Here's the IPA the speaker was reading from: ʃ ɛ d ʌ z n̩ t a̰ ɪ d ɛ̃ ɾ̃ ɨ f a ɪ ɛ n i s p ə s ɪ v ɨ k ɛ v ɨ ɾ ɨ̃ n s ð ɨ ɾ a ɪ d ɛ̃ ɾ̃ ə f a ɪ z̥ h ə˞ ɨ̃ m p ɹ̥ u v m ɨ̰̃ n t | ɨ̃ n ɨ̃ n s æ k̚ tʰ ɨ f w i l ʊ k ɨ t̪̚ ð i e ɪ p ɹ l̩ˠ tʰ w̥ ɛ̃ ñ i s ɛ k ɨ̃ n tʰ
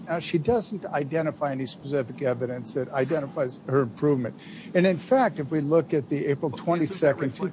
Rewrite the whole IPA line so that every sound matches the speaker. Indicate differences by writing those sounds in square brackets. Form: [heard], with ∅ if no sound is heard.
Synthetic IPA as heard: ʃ [i] d ʌ z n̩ t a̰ ɪ d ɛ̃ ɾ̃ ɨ f a ɪ ɛ n i s p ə s ɪ [f] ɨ k ɛ v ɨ ɾ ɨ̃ n s ð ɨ ɾ a ɪ d ɛ̃ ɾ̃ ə f a ɪ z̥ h ə˞ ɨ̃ m [pʰ] ɹ̥ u v m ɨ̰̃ n t | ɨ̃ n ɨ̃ n [f] æ k̚ [t] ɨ f w i l ʊ k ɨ t̪̚ ð i e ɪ p ɹ l̩ˠ tʰ w̥ ɛ̃ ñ i s ɛ k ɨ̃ n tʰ